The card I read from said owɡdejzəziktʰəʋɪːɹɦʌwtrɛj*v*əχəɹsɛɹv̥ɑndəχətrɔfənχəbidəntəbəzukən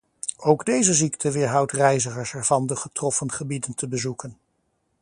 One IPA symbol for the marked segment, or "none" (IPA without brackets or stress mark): z